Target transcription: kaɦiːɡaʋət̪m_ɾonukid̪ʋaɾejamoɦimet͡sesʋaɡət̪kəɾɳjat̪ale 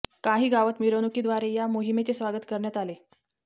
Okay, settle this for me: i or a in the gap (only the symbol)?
i